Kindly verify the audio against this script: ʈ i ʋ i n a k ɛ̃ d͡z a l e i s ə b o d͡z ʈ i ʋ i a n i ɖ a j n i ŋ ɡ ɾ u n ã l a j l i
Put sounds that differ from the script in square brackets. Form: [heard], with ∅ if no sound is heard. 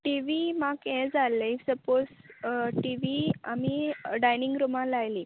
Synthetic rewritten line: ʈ i ʋ i [m] a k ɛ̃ d͡z a l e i s ə [p] o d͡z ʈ i ʋ i a [m] i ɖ a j n i ŋ ɡ ɾ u [m] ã l a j l i

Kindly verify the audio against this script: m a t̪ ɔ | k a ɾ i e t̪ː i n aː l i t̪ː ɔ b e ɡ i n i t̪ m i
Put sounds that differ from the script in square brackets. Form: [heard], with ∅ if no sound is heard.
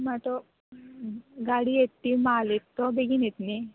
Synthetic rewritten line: m a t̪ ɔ | [ɡ] a [ɽ] i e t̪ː i [m] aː l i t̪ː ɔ b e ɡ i n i t̪ [n] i

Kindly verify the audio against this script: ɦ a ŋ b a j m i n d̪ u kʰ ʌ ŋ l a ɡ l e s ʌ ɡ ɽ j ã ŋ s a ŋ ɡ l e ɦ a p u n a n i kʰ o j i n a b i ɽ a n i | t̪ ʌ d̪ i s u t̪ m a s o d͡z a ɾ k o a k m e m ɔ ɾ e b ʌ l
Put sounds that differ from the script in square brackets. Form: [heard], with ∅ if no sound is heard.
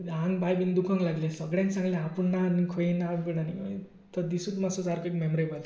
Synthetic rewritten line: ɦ a ŋ b a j [b] i n d̪ u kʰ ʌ ŋ l a ɡ l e s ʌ ɡ ɽ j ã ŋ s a ŋ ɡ l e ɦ a p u n a n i kʰ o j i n a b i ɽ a n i | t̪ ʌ d̪ i s u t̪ m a s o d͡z a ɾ k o [e] k m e m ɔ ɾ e b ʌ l

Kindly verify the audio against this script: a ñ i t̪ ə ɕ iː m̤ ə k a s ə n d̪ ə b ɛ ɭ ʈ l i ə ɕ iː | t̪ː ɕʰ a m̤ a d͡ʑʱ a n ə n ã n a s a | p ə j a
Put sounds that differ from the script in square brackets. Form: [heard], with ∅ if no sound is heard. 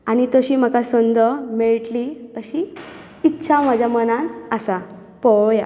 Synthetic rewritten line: a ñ i t̪ ə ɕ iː m̤ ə k a s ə n d̪ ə [m] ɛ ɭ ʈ l i ə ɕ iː | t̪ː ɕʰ a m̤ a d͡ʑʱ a [m] ə n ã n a s a | p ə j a

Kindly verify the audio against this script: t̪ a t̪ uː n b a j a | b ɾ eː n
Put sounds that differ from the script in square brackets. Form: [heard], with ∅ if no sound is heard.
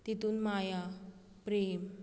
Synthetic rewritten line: t̪ [i] t̪ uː n [m] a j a | [p] ɾ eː [m]

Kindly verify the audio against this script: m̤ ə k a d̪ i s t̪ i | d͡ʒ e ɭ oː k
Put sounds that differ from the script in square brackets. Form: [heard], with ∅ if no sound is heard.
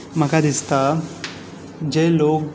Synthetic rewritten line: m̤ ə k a d̪ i s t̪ [a] | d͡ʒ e [l] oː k

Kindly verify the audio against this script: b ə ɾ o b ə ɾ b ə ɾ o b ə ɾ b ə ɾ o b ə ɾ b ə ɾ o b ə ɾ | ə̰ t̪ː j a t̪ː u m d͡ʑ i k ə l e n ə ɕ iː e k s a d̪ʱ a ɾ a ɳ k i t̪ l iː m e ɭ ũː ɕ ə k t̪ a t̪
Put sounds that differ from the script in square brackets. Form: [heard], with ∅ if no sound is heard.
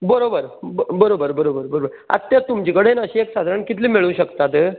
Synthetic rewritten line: b ə ɾ o b ə ɾ b ə ɾ o b ə ɾ b ə ɾ o b ə ɾ b ə ɾ o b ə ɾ | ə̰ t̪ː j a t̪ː u m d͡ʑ i k ə [ɽ] e n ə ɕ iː e k s a d̪ʱ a ɾ a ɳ k i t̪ l iː m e ɭ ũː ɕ ə k t̪ a t̪

